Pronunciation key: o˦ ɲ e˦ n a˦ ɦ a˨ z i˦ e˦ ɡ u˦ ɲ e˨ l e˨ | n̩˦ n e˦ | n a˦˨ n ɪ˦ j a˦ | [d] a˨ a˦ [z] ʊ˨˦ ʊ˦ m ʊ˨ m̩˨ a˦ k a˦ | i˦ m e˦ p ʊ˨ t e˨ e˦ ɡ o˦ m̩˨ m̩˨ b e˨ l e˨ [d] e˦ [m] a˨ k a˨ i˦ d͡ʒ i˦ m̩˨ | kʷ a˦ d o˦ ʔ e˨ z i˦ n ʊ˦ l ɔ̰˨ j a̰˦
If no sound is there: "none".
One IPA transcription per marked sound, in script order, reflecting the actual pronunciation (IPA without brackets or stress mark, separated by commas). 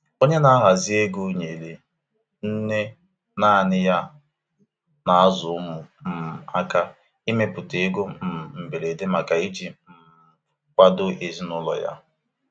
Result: n, z, d, m